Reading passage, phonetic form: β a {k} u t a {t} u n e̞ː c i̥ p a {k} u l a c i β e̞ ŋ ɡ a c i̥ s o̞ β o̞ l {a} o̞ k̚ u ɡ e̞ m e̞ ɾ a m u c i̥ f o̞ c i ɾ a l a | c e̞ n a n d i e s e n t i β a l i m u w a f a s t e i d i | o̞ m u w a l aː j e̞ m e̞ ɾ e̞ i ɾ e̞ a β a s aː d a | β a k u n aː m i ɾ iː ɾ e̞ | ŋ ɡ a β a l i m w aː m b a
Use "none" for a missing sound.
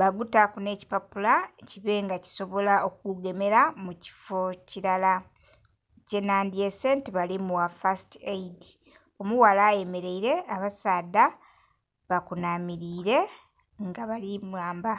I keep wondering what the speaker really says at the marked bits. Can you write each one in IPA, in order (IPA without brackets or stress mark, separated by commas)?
ɡ, k, p, a